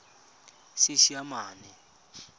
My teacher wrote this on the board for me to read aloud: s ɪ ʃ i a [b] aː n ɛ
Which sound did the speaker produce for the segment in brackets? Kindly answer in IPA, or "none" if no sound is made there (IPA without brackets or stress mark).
m